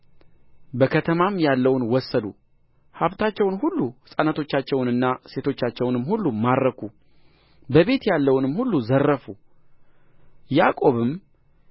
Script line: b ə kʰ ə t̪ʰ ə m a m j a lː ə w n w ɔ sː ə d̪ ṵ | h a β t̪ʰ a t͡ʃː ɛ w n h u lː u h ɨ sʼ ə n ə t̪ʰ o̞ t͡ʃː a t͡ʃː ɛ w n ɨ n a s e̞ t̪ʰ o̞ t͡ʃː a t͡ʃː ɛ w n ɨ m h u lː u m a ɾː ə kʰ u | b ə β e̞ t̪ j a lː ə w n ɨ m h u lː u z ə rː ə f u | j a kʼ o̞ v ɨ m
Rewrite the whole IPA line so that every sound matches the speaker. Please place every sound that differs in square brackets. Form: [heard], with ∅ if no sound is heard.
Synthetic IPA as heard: b ə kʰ ə t̪ʰ ə m a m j a lː ə w n w ɔ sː ə d̪ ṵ | h a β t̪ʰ a t͡ʃː ɛ w n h u lː u h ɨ sʼ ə n ə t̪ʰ o̞ t͡ʃː a t͡ʃː ɛ w n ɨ [nː] a s e̞ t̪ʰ o̞ t͡ʃː a t͡ʃː ɛ w n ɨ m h u lː u m a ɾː ə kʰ u | b ə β e̞ t̪ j a lː ə w n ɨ m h u lː u z ə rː ə f u | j a kʼ o̞ [β] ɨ m